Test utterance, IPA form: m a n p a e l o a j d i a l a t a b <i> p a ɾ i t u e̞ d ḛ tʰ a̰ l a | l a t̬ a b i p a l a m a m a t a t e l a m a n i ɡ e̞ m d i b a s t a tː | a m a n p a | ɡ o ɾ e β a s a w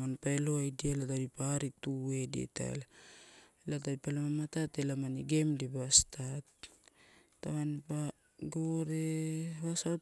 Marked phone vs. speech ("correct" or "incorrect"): correct